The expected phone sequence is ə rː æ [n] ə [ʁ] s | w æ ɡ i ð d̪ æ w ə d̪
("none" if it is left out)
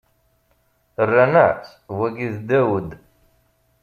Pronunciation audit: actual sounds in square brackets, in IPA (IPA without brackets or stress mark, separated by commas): n, ʕ